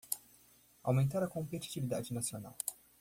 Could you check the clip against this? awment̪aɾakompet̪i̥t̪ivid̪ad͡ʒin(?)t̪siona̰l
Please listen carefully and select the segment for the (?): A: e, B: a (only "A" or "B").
B